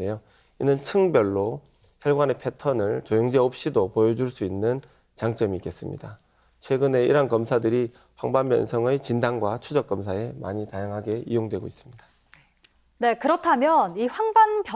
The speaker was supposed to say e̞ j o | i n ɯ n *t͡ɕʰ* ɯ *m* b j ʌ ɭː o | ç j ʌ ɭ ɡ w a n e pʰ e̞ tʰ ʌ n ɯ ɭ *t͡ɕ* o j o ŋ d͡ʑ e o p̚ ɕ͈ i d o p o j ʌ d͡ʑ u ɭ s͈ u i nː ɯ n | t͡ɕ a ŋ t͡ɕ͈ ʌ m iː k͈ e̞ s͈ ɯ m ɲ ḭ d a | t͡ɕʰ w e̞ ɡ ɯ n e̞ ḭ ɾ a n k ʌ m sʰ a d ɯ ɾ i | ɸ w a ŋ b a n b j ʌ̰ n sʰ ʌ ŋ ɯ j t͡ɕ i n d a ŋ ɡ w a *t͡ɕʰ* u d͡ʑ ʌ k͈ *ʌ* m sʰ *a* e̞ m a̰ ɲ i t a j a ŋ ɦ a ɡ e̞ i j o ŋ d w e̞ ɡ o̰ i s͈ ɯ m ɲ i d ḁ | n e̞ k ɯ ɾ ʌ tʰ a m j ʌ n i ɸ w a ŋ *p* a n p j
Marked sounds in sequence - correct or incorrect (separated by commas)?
correct, incorrect, correct, correct, correct, correct, incorrect